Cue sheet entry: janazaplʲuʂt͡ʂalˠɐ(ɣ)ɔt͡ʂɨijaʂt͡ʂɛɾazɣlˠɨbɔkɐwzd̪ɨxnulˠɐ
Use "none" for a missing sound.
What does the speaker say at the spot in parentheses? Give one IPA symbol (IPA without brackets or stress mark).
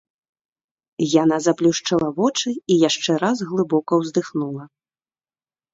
v